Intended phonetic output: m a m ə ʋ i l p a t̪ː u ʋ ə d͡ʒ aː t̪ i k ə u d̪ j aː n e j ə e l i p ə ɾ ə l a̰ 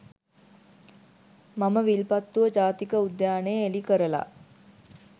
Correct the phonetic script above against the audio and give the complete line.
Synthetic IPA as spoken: m a m ə ʋ i l p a t̪ː u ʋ ə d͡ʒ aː t̪ i k ə u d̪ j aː n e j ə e l i k ə ɾ ə l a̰